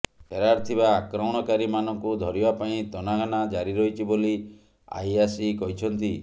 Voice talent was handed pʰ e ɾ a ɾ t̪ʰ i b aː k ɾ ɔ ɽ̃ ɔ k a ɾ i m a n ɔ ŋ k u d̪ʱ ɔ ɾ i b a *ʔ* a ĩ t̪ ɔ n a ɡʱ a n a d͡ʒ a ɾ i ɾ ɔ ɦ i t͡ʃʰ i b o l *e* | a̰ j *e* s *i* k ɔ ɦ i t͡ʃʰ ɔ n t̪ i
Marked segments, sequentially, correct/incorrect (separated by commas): incorrect, incorrect, incorrect, correct